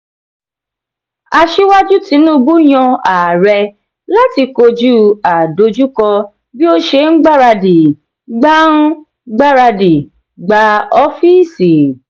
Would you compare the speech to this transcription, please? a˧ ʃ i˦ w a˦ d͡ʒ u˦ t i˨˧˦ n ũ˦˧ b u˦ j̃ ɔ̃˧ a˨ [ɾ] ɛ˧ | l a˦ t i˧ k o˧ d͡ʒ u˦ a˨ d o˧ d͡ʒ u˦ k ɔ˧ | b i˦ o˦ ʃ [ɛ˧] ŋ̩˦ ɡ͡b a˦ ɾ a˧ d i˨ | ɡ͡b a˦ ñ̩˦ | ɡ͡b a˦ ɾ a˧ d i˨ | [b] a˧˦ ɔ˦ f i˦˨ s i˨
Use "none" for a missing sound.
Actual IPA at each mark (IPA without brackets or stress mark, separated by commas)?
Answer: ɾ, e˧, ɡ͡b